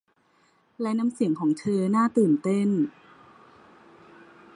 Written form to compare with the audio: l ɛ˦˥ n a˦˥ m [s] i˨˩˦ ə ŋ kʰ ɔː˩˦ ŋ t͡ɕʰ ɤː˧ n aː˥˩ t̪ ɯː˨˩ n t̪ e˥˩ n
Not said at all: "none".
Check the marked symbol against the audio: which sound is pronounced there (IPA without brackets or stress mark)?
s